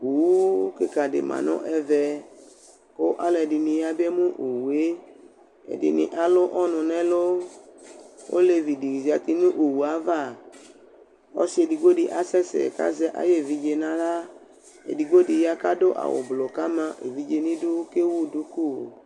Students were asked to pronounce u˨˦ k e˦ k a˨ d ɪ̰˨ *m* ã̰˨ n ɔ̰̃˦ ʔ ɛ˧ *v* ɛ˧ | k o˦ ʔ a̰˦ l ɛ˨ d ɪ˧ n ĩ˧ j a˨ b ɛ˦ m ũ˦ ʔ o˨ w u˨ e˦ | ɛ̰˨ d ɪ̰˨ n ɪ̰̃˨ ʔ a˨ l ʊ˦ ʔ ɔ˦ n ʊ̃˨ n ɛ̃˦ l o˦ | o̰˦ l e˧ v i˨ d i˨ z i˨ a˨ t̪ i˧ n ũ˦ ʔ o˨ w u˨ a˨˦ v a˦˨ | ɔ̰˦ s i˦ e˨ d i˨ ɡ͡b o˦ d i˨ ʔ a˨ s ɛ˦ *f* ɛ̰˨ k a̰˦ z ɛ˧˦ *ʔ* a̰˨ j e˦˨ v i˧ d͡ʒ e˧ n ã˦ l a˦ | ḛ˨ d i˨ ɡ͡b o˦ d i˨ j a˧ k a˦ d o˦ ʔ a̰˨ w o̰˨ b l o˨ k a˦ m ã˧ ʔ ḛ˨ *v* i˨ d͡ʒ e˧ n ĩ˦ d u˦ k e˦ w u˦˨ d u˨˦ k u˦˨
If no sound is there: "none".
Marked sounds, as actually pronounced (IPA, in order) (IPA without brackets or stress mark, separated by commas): m, v, s, ʔ, v